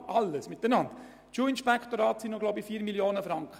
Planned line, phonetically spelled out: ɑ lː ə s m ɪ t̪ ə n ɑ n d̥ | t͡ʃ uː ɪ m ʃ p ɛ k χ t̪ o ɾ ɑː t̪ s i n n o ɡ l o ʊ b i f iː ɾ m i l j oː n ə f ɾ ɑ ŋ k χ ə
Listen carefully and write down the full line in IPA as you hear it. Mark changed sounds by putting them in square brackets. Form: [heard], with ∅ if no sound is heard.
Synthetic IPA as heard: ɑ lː ə s m ɪ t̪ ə n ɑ n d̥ | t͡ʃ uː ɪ [n] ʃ p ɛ k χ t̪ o ɾ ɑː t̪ s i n n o ɡ l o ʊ b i f iː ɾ m i l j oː n ə f ɾ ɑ ŋ k χ ə